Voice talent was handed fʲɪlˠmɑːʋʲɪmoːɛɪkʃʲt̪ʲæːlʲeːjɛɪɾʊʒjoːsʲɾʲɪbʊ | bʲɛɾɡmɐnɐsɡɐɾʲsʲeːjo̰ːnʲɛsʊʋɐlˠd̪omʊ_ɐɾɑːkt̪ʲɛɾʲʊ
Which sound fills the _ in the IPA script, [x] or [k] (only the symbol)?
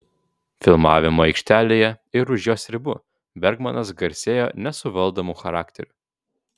x